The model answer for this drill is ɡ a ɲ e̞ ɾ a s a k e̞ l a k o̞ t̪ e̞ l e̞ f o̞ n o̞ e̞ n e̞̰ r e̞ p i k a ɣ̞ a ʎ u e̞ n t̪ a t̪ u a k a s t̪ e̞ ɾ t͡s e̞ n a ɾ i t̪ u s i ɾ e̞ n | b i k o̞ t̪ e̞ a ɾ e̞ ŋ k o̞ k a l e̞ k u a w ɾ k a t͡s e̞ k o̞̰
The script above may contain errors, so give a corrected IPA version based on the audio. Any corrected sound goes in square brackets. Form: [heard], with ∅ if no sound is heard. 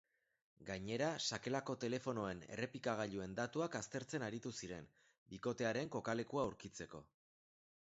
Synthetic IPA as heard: ɡ a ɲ e̞ ɾ a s a k e̞ l a k o̞ t̪ e̞ l e̞ f o̞ n o̞ e̞ n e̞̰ r e̞ p i k a ɣ̞ a ʎ u e̞ n [d̪] a t̪ u a k a s t̪ e̞ ɾ t͡s e̞ n a ɾ i t̪ u s i ɾ e̞ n | b i k o̞ t̪ e̞ a ɾ e̞ ŋ k o̞ k a l e̞ k u a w ɾ k [i] t͡s e̞ k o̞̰